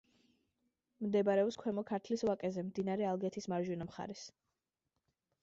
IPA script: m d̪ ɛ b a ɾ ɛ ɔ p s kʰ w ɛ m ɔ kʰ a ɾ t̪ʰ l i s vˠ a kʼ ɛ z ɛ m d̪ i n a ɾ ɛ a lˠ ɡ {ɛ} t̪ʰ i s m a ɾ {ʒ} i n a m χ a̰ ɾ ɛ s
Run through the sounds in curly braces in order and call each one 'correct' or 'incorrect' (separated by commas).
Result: correct, correct